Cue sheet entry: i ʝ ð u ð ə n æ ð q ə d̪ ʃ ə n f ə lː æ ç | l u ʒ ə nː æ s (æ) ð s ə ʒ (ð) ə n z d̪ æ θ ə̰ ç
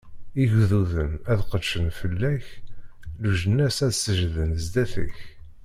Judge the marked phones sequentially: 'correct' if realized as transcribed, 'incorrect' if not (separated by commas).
correct, correct